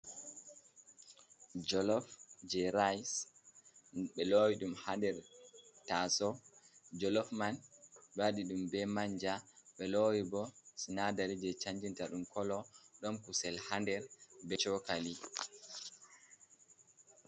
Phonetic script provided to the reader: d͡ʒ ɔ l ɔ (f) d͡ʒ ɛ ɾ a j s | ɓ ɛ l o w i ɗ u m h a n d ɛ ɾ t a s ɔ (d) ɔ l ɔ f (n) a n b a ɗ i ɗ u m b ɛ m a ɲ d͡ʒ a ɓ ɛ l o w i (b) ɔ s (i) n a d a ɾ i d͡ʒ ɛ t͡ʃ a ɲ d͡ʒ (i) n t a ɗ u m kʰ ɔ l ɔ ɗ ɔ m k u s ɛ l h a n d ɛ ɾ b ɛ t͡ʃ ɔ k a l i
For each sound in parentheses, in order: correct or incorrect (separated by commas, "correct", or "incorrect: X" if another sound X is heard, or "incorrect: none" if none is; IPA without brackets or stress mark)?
correct, incorrect: d͡ʒ, incorrect: m, correct, correct, correct